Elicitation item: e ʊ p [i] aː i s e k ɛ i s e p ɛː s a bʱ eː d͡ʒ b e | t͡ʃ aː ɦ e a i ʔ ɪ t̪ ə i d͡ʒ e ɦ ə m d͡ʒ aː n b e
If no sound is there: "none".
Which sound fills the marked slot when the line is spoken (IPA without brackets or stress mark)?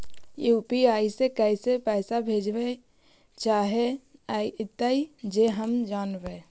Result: i